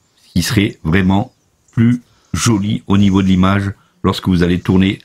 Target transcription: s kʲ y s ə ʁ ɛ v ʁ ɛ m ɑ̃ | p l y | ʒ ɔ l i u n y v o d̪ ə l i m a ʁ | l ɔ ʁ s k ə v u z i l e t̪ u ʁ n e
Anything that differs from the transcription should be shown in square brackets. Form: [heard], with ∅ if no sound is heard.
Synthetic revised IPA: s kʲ [i] s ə ʁ ɛ v ʁ ɛ m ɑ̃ | p l y | ʒ ɔ l i [o] n [i] v o d̪ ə l i m a [ʒ] | l ɔ ʁ s k ə v u z [a] l e t̪ u ʁ n e